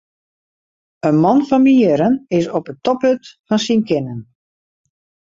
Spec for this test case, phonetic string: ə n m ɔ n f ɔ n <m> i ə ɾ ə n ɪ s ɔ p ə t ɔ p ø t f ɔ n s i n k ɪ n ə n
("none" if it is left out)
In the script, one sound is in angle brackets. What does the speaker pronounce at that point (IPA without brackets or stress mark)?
m